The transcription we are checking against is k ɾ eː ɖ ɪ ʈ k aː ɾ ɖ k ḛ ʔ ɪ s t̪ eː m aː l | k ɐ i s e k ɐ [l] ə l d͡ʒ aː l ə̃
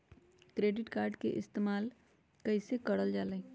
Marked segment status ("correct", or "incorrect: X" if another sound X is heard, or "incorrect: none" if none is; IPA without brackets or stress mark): incorrect: ɽ